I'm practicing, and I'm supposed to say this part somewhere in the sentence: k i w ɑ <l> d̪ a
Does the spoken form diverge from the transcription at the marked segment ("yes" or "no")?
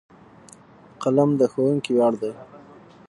yes